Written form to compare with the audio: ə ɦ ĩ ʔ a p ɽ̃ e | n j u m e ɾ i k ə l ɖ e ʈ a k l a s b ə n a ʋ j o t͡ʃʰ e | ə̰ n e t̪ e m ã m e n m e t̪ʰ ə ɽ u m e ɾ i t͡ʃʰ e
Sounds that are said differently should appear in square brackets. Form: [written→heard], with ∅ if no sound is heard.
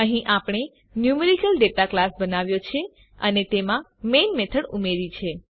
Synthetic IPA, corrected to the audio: ə ɦ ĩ ʔ a p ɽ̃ e | n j u m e ɾ i k ə l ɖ e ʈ a k l a s b ə n a ʋ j o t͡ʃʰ e | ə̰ n e t̪ e m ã m e n m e t̪ʰ ə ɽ u m e ɾ i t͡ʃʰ e